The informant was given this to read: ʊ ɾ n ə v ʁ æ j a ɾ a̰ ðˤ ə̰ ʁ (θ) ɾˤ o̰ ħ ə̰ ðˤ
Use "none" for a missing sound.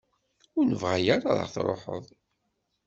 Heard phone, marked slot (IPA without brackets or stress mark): θ